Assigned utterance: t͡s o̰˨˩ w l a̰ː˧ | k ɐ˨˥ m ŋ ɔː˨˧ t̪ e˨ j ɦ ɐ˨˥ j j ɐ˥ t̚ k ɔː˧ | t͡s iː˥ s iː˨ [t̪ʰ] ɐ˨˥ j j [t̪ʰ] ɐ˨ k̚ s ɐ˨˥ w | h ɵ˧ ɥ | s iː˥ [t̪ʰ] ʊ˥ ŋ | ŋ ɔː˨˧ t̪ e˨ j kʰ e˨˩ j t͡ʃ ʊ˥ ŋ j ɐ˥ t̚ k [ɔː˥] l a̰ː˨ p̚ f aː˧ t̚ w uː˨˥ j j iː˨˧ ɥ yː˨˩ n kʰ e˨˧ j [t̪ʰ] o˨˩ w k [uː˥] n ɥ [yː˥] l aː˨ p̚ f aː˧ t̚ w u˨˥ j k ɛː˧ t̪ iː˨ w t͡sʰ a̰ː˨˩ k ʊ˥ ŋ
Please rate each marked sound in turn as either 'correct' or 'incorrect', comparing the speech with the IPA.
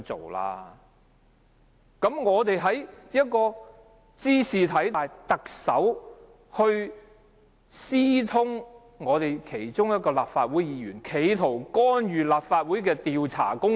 correct, incorrect: t̪, correct, incorrect: ɔː˧, correct, incorrect: ɔː˥, incorrect: yː˨

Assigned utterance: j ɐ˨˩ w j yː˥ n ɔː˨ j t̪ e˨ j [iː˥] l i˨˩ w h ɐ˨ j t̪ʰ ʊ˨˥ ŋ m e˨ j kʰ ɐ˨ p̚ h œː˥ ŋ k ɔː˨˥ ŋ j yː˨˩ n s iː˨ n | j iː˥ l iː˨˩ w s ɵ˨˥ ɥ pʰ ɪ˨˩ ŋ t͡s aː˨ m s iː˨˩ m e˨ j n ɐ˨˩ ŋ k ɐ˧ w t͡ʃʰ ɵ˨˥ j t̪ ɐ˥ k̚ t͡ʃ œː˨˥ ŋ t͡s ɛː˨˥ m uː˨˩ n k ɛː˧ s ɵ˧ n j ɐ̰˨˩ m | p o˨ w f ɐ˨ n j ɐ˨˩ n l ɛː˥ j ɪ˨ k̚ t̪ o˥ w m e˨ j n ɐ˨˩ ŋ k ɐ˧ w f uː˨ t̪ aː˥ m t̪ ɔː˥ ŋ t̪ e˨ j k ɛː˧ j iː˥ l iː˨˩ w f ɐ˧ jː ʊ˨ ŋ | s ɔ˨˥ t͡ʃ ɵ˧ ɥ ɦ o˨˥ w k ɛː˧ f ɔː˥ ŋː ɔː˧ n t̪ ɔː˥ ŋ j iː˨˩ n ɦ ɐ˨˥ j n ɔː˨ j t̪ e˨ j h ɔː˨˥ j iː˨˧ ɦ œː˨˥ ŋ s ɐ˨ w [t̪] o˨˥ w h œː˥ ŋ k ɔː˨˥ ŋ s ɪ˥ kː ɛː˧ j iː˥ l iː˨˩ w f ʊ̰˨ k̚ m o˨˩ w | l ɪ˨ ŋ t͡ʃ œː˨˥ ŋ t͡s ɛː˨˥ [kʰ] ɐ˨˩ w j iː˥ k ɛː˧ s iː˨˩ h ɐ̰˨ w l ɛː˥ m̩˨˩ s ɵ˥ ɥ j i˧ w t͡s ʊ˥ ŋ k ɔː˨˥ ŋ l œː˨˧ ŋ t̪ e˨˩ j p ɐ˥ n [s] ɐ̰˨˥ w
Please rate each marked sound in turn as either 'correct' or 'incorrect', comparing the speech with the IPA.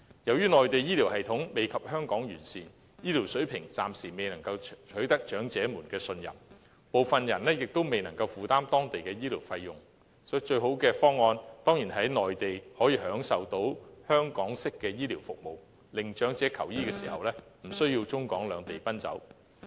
correct, correct, correct, incorrect: t͡s

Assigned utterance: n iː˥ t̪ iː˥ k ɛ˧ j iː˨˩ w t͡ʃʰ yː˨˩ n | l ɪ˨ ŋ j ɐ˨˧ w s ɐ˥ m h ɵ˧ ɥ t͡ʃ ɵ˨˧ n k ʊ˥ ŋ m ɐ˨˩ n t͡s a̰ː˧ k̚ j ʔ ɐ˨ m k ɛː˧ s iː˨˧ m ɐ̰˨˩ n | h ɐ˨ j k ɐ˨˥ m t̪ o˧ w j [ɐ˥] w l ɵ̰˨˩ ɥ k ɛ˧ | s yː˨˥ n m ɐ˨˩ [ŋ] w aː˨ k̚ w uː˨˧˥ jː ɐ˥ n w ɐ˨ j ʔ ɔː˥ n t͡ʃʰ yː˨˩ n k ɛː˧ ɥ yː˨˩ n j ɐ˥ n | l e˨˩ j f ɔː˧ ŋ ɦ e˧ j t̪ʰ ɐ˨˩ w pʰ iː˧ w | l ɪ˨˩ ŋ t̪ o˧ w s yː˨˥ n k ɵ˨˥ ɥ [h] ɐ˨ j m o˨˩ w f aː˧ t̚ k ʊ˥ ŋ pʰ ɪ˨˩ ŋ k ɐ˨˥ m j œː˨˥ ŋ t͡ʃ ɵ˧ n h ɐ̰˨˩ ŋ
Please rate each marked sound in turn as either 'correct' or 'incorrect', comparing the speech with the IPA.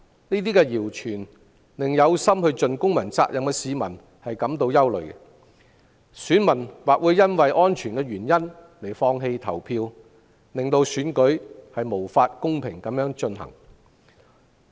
correct, incorrect: n, correct

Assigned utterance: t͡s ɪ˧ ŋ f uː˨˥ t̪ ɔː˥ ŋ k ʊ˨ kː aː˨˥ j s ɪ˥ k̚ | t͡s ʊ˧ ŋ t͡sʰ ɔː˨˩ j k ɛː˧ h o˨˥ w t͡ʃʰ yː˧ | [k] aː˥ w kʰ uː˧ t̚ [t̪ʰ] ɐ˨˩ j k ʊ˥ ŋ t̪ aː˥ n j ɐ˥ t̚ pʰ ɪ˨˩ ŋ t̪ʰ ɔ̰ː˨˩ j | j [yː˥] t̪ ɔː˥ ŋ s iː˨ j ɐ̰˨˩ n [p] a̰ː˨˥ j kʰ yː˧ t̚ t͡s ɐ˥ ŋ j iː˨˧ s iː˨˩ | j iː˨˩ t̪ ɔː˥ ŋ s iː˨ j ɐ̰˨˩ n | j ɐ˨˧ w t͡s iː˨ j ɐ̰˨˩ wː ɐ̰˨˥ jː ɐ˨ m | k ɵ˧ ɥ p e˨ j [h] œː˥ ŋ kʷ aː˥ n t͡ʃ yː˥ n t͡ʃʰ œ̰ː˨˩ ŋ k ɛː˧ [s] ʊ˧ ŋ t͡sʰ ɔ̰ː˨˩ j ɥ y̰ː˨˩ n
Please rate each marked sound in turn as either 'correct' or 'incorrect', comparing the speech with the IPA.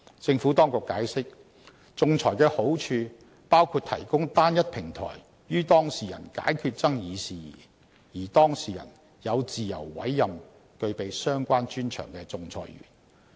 incorrect: p, correct, correct, incorrect: k, incorrect: s, incorrect: t͡s

